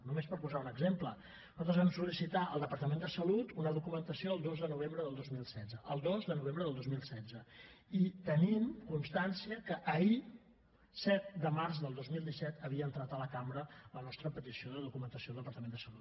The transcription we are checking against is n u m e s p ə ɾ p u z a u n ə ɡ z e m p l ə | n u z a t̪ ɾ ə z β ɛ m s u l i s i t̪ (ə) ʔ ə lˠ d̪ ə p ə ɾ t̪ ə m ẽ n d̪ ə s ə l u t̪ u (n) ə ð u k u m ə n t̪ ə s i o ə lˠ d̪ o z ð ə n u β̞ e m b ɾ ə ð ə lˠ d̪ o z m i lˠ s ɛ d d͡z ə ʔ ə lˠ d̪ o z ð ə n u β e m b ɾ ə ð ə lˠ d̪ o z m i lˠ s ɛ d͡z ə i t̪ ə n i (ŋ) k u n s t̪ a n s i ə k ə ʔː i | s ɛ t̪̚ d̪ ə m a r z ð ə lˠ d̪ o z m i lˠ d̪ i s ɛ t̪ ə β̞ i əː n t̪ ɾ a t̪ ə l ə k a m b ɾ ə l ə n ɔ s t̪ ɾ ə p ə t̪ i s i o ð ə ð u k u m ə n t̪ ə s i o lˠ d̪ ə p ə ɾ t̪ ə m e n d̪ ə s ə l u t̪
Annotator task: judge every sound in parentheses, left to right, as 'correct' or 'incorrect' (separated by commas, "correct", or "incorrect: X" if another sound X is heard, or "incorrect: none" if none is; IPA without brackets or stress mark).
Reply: incorrect: a, correct, incorrect: m